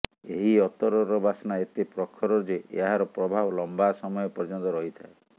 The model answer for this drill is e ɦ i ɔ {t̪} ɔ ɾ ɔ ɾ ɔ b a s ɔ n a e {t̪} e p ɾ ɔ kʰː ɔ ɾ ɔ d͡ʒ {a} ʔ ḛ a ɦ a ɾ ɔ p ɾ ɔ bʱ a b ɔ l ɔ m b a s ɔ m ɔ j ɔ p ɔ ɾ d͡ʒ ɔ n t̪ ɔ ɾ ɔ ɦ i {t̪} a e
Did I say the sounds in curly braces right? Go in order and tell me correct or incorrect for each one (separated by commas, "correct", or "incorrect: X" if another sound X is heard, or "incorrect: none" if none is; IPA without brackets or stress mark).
correct, correct, incorrect: e, incorrect: t̪ʰ